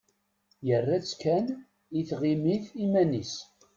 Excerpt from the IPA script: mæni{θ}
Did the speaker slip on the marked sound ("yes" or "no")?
yes